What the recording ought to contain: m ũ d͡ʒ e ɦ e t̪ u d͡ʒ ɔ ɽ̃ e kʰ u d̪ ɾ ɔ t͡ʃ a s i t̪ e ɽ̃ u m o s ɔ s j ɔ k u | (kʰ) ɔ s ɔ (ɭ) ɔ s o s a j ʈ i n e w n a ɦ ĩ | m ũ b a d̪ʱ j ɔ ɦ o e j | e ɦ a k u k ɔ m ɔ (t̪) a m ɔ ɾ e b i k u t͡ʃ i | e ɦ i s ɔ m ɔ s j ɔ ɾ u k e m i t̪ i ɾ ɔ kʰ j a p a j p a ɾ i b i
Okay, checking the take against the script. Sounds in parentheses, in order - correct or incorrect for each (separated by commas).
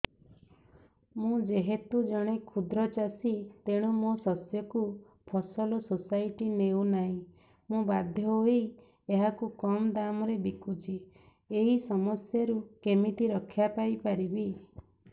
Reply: incorrect, incorrect, incorrect